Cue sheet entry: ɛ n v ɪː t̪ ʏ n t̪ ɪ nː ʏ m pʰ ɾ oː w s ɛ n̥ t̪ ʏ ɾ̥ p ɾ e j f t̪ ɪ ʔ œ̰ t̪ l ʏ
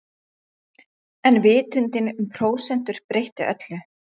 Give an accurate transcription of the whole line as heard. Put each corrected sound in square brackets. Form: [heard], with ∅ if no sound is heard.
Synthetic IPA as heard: ɛ n v ɪː t̪ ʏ n t̪ ɪ [n] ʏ m pʰ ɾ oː w s ɛ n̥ t̪ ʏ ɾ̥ p ɾ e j [h] t̪ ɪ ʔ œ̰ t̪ l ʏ

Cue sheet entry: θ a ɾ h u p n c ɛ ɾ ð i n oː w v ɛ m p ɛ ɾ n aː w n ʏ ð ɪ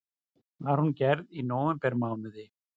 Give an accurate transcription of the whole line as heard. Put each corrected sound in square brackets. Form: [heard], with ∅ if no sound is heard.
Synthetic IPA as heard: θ a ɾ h u [∅] n c ɛ ɾ ð i n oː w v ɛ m p ɛ ɾ [m] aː w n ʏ ð ɪ

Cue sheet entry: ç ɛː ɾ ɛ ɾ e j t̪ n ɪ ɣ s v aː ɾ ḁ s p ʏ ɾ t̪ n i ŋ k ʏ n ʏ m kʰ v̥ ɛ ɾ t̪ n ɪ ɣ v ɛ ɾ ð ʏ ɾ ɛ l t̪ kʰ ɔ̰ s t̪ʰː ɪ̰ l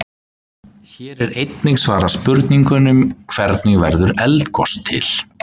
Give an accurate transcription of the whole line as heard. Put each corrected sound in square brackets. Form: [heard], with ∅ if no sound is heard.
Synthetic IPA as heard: ç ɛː ɾ ɛ ɾ e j t̪ n ɪ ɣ s v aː ɾ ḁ s p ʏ ɾ t̪ n i ŋ k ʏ n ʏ m kʰ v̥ ɛ ɾ t̪ n ɪ ɣ v ɛ ɾ ð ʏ ɾ ɛ l t̪ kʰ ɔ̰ s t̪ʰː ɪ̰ l

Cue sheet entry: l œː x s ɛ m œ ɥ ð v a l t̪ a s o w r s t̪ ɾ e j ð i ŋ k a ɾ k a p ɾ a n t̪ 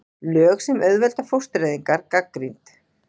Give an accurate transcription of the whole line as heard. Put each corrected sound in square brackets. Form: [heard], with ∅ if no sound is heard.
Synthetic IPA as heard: l œː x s ɛ m œ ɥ ð v [ɛ] l t̪ a [f] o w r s t̪ ɾ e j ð i ŋ k a ɾ k a [k] ɾ [i] n t̪

